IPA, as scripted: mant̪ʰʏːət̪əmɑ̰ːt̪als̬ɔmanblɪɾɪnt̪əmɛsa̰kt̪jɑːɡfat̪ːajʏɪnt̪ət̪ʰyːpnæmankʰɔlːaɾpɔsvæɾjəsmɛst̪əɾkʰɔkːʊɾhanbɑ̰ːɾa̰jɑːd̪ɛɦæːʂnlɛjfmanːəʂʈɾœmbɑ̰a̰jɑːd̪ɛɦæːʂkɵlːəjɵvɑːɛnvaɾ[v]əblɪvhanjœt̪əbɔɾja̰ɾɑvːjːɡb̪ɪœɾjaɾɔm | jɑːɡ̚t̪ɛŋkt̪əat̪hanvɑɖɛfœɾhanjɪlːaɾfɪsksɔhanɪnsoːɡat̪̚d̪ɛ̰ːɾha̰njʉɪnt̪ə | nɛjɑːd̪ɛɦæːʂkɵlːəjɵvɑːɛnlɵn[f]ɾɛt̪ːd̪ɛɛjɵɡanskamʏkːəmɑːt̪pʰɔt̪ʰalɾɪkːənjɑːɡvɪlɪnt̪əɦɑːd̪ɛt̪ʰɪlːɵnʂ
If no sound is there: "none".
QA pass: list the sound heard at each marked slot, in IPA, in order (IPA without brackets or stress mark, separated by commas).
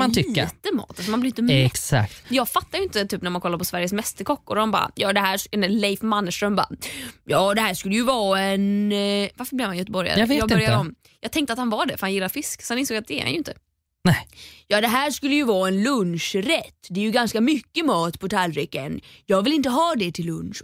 f, ʂ